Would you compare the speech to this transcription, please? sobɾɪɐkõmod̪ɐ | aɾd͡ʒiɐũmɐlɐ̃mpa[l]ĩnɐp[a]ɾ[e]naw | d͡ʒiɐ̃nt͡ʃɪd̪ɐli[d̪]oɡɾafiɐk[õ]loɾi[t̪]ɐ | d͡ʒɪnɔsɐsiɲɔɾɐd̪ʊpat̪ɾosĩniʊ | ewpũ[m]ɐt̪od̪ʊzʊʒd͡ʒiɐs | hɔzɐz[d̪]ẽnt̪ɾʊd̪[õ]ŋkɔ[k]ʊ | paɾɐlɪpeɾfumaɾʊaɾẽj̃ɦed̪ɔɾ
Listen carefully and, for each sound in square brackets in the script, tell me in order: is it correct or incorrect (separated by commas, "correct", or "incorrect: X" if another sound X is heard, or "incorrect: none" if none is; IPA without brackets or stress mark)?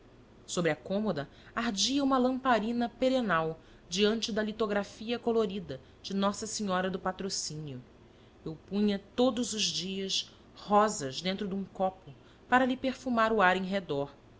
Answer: incorrect: ɾ, incorrect: e, correct, incorrect: t̪, incorrect: o, incorrect: d̪, incorrect: ɲ, correct, incorrect: ũ, incorrect: p